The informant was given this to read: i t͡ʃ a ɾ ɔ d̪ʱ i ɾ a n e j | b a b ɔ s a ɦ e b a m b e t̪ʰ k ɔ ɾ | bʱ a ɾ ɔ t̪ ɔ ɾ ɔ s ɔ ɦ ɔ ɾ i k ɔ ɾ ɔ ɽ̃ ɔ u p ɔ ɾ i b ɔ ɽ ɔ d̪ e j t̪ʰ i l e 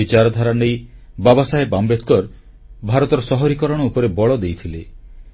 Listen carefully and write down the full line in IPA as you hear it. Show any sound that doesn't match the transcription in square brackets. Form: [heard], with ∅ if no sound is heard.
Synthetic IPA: i t͡ʃ a ɾ ɔ d̪ʱ [a] ɾ a n e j | b a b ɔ s a ɦ e b a m b e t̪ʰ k ɔ ɾ | bʱ a ɾ ɔ t̪ ɔ ɾ ɔ s ɔ ɦ ɔ ɾ i k ɔ ɾ ɔ ɽ̃ ɔ u p ɔ ɾ [e] b ɔ [ɭ] ɔ d̪ e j t̪ʰ i l e